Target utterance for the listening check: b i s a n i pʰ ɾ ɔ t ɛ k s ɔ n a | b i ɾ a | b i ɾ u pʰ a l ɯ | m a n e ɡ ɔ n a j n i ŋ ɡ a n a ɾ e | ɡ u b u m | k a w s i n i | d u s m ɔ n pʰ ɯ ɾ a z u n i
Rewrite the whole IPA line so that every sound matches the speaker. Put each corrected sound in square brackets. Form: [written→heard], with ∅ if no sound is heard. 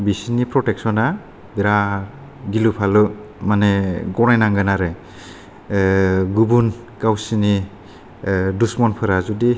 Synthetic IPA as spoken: b i s [a→i] n i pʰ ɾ ɔ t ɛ k s ɔ n a | b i ɾ a | [b→ɡ] i [ɾ→l] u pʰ a l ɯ | m a n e ɡ ɔ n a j n [i→a] ŋ ɡ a n a ɾ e | ɡ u b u [m→n] | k a w s i n i | d u s m ɔ n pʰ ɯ ɾ a z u [n→d] i